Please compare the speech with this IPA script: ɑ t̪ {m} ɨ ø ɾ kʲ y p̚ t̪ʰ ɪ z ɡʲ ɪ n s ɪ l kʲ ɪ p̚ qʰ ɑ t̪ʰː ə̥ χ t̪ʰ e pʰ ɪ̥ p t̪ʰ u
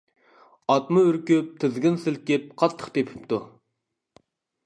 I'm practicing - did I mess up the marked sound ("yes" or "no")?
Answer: no